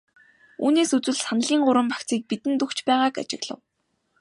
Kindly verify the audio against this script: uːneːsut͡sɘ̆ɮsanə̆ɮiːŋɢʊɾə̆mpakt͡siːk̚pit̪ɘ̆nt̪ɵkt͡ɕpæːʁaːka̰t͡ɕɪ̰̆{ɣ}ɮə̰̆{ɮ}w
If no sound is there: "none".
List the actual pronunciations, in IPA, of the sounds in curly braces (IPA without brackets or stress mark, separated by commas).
ɣ, none